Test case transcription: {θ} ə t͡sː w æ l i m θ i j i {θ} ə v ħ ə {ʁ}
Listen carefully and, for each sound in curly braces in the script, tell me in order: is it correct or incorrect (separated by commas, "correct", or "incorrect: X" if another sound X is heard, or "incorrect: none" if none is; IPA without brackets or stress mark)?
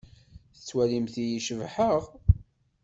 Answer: correct, incorrect: ʃ, correct